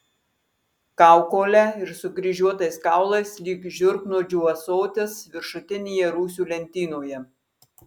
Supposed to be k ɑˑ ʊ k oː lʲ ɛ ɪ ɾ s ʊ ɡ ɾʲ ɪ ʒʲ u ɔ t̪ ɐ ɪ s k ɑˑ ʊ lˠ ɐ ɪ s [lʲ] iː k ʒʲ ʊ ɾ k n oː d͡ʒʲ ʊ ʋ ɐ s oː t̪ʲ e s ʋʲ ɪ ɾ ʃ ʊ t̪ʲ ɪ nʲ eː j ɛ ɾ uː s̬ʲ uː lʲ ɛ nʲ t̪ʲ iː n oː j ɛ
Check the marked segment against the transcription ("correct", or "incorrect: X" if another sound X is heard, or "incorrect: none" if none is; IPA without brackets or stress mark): correct